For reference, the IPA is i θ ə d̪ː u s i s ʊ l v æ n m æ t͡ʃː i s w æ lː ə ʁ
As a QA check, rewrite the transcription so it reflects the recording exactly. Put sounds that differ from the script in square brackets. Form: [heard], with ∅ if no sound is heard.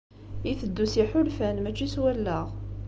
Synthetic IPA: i θ ə d̪ː u s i [ħ] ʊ l [f] æ n m æ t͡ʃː i s w æ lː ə ʁ

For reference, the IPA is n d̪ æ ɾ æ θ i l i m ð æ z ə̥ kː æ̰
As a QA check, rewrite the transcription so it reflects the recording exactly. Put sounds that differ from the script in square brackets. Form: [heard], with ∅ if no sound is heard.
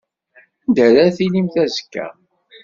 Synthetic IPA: n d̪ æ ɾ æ θ i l i m [θ] æ z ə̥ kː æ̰

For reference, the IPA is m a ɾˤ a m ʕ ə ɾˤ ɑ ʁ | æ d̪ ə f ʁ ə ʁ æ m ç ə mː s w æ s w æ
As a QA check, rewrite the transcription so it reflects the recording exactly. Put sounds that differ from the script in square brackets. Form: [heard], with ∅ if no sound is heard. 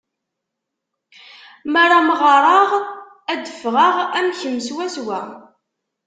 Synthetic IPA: m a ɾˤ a m [ʁ] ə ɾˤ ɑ ʁ | æ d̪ ə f ʁ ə ʁ æ m ç ə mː s w æ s w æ

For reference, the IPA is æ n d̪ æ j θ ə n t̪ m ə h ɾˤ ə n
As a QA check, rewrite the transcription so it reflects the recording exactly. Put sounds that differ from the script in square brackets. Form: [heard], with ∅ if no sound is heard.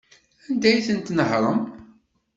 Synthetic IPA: æ n d̪ æ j θ ə n t̪ [n] ə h ɾˤ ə [m]

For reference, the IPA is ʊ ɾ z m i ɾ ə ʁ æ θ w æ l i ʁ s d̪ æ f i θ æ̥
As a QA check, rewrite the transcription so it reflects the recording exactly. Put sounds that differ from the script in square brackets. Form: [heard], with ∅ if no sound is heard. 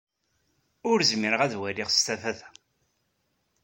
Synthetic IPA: ʊ ɾ z m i ɾ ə ʁ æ [ð] w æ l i ʁ s [t̪] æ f [æ] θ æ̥

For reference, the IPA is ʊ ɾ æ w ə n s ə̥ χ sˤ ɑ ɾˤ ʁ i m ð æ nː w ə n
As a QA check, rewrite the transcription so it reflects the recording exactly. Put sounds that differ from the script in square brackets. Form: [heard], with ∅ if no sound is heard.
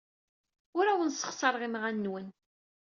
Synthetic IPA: ʊ ɾ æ w ə n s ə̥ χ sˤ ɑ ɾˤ ʁ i m [ʁ] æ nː w ə n

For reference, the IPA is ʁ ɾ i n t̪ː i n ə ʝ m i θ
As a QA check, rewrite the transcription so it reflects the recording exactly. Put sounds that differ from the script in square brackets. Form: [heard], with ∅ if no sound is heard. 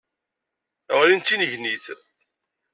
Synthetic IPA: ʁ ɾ i n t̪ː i n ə ʝ [n] i θ

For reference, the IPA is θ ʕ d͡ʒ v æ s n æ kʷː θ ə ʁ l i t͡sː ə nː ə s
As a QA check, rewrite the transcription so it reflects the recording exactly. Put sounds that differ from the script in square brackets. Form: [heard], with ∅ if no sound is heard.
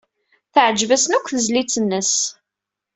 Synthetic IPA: θ ʕ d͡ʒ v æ s n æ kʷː θ ə [z] l i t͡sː ə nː ə s

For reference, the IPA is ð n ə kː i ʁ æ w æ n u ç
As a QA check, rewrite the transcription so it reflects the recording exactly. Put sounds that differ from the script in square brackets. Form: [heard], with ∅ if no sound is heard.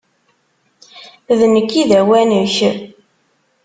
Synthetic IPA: ð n ə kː i [ð] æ w æ n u ç

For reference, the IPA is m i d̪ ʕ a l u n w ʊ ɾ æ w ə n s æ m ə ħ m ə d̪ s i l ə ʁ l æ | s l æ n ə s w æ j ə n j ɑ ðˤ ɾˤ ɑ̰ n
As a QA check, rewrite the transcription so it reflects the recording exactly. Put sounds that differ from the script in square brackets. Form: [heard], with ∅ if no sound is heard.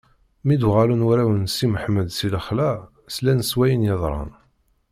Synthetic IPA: m i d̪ [ʁ] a l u n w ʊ ɾ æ w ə n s [i] m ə ħ m ə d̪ s i l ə [χ] l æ | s l æ n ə s w æ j ə n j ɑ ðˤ ɾˤ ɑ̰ n

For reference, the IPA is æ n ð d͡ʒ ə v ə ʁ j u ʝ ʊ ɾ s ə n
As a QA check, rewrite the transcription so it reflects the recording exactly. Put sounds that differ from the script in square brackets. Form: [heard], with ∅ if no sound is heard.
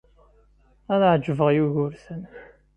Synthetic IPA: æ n [ʕ] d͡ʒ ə v ə ʁ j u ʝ ʊ ɾ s ə n

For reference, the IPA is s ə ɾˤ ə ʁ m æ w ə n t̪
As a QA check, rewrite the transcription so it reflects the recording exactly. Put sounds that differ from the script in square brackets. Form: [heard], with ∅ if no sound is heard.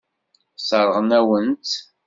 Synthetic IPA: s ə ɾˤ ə ʁ [n] æ w ə n t̪

